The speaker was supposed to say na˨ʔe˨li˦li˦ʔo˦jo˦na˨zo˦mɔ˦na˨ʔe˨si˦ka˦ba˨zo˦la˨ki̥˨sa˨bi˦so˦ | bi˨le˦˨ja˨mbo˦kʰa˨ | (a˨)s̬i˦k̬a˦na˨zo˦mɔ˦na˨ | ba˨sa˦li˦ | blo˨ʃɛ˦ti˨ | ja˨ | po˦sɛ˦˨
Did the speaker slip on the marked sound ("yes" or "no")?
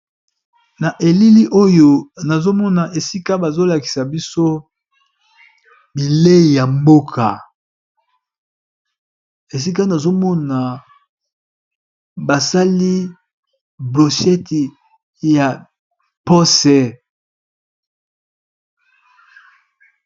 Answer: yes